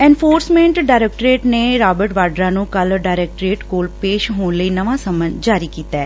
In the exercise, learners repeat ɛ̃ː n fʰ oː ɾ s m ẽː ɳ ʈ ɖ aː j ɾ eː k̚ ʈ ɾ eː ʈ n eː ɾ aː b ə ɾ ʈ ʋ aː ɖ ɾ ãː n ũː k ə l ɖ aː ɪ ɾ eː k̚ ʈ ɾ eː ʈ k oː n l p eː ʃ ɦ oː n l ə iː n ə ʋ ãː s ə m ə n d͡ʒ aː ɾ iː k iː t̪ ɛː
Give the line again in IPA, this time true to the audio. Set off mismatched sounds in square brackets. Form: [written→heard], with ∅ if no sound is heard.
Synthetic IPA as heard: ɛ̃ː n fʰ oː ɾ s m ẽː ɳ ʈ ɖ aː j ɾ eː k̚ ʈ ɾ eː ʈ n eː ɾ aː b ə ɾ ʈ ʋ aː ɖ ɾ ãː n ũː k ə l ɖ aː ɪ ɾ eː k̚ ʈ ɾ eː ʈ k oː [n→∅] l p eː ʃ ɦ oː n l ə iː n ə ʋ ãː s ə m ə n d͡ʒ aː ɾ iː k iː t̪ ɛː

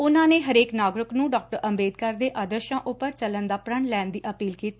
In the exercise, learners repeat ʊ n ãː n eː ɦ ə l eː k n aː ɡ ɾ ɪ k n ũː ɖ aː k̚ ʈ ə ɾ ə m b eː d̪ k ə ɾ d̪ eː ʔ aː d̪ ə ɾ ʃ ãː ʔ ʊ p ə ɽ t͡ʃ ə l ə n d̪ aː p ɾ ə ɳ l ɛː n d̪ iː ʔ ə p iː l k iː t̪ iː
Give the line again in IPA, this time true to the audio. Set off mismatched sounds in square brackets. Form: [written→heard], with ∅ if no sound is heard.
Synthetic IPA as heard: ʊ n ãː n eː ɦ ə [l→ɾ] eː k n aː ɡ ɾ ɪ k n ũː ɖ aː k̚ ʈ ə ɾ ə m b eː d̪ k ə ɾ d̪ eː ʔ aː d̪ ə ɾ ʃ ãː ʔ ʊ p ə [ɽ→ɾ] t͡ʃ ə l ə n d̪ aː p ɾ ə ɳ l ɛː n d̪ iː ʔ ə p iː l k iː t̪ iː

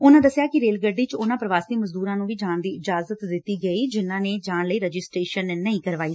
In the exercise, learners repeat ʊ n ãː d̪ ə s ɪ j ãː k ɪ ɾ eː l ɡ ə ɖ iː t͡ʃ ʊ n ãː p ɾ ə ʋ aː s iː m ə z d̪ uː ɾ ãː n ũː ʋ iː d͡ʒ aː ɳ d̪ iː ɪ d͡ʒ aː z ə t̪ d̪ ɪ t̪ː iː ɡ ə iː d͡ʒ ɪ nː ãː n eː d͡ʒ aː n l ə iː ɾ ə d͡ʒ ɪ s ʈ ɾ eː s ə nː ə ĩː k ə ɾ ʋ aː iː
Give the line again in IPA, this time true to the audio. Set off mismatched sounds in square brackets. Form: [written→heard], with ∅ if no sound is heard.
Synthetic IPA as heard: ʊ n ãː d̪ ə s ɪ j [ãː→aː] k ɪ ɾ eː l ɡ ə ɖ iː t͡ʃ ʊ n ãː p ɾ ə ʋ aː s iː m ə z d̪ uː ɾ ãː n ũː ʋ iː d͡ʒ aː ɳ d̪ iː ɪ d͡ʒ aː z ə t̪ d̪ ɪ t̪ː iː ɡ ə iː d͡ʒ ɪ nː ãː n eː d͡ʒ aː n l ə iː ɾ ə d͡ʒ ɪ s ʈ ɾ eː [s→ʃ] ə nː ə ĩː k ə ɾ ʋ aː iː

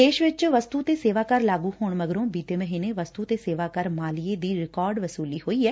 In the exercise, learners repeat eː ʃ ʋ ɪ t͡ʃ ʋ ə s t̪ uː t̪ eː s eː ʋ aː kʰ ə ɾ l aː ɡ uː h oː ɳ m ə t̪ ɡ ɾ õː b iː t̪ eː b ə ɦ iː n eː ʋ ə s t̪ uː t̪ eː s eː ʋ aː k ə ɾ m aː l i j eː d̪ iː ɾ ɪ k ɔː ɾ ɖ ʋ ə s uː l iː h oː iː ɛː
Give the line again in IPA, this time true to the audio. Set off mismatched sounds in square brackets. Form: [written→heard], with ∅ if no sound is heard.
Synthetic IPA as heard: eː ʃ ʋ ɪ t͡ʃ ʋ ə s t̪ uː t̪ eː s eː ʋ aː [kʰ→k] ə ɾ l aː ɡ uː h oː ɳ m ə [t̪→∅] ɡ ɾ õː b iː t̪ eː [b→m] ə ɦ iː n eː ʋ ə s t̪ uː t̪ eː s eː ʋ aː k ə ɾ m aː l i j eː d̪ iː ɾ ɪ k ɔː ɾ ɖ ʋ ə s uː l iː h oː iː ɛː

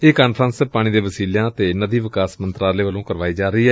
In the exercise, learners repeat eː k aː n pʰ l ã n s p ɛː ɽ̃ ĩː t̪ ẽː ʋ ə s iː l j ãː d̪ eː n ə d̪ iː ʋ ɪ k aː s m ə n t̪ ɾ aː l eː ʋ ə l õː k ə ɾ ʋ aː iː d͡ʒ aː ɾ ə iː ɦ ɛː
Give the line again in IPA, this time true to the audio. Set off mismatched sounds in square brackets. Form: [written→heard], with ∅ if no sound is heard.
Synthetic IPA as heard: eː k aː n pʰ [l→ɾ] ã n s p [ɛː→aː] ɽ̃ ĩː [t̪→d̪] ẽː ʋ ə s iː l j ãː [d̪→t̪] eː n ə d̪ iː ʋ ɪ k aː s m ə n t̪ ɾ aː l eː ʋ ə l õː k ə ɾ ʋ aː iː d͡ʒ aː ɾ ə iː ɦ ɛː

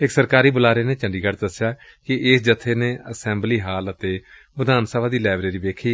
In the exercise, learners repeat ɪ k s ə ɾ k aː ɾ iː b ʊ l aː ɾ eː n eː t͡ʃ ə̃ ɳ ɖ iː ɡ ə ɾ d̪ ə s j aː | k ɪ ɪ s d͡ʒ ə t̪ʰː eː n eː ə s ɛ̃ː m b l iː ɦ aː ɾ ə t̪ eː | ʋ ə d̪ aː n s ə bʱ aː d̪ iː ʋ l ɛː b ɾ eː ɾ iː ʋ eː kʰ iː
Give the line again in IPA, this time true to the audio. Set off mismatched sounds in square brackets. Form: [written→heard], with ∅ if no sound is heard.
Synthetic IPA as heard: ɪ k s ə ɾ k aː ɾ iː b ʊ l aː ɾ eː n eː t͡ʃ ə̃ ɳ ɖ iː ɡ ə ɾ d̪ ə s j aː | k ɪ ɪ s d͡ʒ ə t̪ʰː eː n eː ə s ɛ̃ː m b l iː ɦ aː [ɾ→l] ə t̪ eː | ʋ ə d̪ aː n s ə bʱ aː d̪ iː [ʋ→∅] l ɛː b ɾ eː ɾ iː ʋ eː kʰ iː

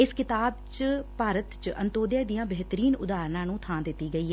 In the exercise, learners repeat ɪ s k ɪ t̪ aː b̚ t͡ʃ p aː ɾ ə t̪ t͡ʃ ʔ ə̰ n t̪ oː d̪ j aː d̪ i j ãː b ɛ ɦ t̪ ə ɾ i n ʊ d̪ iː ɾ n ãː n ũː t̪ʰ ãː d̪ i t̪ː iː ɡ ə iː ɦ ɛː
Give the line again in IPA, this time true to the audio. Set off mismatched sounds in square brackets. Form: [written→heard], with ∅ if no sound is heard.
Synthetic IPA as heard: ɪ s k ɪ t̪ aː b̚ t͡ʃ p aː ɾ ə t̪ t͡ʃ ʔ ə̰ n t̪ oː d̪ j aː d̪ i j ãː b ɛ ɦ t̪ ə ɾ [i→iː] n ʊ d̪ [iː→aː] ɾ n ãː n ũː t̪ʰ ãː d̪ [i→ɪ] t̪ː iː ɡ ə iː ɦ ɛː

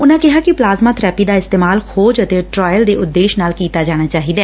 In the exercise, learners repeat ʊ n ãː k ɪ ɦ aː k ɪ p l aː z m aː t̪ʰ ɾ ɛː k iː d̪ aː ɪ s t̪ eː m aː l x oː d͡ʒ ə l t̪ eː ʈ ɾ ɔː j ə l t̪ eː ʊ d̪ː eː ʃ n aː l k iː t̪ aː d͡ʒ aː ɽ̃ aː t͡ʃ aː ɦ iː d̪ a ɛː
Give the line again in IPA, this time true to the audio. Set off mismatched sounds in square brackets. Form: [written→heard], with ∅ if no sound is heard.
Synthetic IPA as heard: ʊ n ãː k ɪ ɦ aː k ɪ p l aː z m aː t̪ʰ ɾ ɛː [k→p] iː d̪ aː ɪ s t̪ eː m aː l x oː d͡ʒ ə [l→∅] t̪ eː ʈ ɾ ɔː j ə l [t̪→d̪] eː ʊ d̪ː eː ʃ n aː l k iː t̪ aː d͡ʒ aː ɽ̃ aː t͡ʃ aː ɦ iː d̪ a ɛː

